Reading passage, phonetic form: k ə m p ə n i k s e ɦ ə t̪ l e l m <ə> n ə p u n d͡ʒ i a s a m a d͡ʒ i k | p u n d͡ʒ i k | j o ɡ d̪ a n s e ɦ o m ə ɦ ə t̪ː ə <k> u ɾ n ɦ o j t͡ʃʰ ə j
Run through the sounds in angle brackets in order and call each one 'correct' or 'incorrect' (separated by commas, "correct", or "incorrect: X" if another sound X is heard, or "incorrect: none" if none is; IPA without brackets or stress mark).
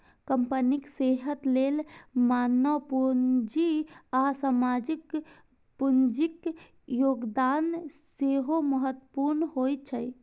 incorrect: a, incorrect: p